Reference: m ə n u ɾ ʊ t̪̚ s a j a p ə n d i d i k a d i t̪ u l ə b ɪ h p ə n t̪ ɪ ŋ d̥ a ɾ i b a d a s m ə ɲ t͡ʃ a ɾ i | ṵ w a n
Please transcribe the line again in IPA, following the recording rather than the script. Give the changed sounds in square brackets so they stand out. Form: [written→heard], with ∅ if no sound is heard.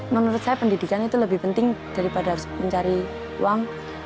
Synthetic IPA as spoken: m ə n u ɾ ʊ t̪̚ s a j a p ə n d i d i k a [d→n] i t̪ u l ə b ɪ h p ə n t̪ ɪ ŋ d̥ a ɾ i [b→p] a d a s m ə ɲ t͡ʃ a ɾ i | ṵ w a [n→ŋ]